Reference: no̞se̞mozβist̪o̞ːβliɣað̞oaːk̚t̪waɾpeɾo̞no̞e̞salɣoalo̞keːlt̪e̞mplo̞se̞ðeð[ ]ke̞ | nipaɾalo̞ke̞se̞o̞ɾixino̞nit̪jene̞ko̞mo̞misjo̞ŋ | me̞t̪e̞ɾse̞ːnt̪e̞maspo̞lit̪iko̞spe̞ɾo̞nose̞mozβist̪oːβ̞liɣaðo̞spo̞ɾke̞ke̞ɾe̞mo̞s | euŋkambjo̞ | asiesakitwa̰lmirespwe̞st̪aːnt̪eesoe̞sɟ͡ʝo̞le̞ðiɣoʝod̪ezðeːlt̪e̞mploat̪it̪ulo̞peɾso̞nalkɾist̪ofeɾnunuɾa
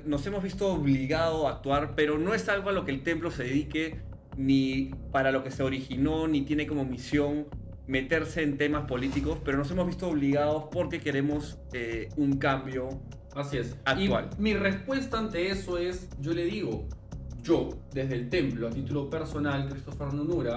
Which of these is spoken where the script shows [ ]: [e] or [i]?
i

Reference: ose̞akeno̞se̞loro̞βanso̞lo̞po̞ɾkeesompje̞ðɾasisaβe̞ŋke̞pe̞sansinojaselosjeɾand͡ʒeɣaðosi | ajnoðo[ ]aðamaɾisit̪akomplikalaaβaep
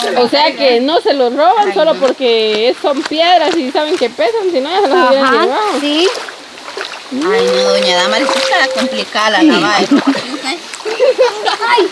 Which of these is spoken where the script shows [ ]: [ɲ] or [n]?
ɲ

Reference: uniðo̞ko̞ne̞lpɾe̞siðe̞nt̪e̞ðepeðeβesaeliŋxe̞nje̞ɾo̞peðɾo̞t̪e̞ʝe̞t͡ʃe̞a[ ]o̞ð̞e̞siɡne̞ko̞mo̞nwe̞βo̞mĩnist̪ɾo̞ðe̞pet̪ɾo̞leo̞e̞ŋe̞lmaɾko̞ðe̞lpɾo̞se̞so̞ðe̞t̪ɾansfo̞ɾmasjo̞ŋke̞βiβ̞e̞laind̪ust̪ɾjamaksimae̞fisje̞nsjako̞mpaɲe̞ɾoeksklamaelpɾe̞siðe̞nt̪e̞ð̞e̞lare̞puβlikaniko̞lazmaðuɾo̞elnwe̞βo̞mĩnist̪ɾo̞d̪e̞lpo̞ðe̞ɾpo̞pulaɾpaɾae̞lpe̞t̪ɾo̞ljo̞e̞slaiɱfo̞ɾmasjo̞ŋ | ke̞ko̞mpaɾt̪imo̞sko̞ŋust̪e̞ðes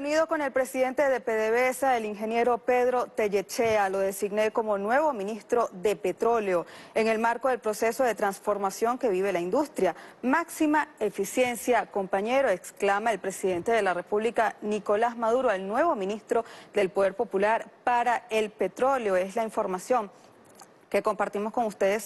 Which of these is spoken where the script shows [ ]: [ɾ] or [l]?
l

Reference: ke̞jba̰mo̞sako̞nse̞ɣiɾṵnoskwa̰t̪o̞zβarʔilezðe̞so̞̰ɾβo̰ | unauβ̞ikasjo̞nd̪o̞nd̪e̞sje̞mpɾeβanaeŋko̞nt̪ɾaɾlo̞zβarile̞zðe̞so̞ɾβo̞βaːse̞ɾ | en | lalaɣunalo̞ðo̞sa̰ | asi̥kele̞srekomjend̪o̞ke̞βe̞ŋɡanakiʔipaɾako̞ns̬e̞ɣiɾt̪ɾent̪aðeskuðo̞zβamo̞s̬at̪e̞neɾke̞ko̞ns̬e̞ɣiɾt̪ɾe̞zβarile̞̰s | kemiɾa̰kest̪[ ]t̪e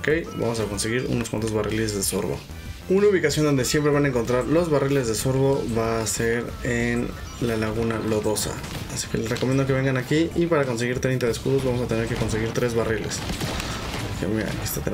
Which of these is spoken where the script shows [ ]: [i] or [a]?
a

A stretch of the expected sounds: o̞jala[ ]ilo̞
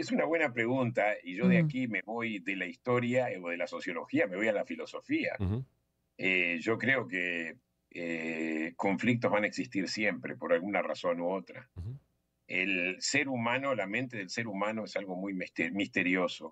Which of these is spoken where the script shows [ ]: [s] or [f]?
f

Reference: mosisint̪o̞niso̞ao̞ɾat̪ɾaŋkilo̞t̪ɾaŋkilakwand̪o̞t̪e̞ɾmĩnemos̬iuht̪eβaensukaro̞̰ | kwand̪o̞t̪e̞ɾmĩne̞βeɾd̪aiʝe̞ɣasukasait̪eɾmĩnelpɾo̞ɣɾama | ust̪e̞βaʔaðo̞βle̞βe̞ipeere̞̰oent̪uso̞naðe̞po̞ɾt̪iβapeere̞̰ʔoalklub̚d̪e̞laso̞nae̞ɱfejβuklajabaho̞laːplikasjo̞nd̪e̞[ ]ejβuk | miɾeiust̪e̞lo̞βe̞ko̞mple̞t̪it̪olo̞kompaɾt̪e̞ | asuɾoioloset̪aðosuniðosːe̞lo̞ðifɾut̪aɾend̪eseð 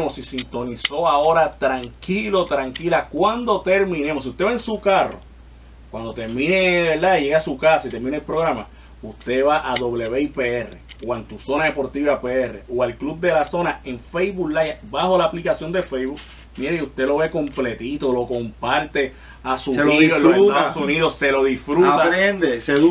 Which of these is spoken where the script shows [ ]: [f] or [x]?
f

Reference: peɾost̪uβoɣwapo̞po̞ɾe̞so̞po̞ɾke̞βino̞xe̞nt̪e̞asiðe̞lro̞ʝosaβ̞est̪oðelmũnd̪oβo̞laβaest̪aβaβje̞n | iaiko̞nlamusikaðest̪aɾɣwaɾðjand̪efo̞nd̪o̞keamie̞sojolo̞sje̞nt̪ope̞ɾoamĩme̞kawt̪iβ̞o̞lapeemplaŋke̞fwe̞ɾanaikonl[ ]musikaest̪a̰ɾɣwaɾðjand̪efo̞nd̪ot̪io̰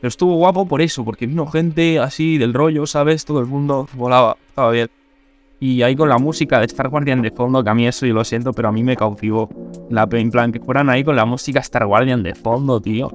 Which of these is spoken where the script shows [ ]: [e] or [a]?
a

